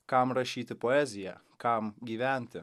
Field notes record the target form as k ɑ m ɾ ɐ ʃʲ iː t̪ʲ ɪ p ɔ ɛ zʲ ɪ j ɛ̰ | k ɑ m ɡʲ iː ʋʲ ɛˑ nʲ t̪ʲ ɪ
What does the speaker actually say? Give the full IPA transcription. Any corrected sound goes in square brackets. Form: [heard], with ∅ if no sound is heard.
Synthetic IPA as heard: k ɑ m ɾ ɐ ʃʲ iː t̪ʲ ɪ p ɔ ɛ zʲ ɪ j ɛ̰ | k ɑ m ɡʲ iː ʋʲ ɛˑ nʲ t̪ʲ ɪ